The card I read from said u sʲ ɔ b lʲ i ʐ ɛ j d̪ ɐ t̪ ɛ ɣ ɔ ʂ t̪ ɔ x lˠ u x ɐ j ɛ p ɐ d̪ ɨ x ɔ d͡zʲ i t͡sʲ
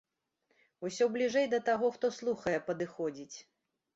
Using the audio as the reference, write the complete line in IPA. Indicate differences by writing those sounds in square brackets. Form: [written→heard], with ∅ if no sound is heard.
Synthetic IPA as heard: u sʲ ɔ b lʲ i ʐ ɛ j d̪ ɐ t̪ [ɛ→a] ɣ ɔ [ʂ→x] t̪ ɔ [x→s] lˠ u x ɐ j ɛ p ɐ d̪ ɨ x ɔ d͡zʲ i t͡sʲ